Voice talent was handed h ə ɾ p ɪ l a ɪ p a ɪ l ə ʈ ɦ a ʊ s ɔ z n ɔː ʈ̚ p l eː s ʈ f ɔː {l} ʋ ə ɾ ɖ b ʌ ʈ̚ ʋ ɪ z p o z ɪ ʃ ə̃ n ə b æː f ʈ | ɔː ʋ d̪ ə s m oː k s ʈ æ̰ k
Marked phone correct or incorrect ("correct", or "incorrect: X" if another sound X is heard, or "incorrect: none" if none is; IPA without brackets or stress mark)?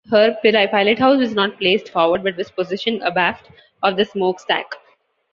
incorrect: ɾ